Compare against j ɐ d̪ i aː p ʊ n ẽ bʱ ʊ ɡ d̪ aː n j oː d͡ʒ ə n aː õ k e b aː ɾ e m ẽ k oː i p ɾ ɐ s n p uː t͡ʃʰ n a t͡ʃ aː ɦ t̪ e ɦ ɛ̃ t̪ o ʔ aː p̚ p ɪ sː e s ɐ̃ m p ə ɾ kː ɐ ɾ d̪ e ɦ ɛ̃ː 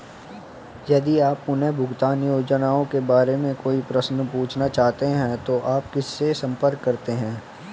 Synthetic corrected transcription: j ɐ d̪ i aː p ʊ n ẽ bʱ ʊ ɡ t̪ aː n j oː d͡ʒ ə n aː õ k e b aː ɾ e m ẽ k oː i p ɾ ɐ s n p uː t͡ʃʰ n a t͡ʃ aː ɦ t̪ e ɦ ɛ̃ t̪ o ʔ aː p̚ k ɪ sː e s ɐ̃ m p ə ɾ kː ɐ ɾ t̪ e ɦ ɛ̃ː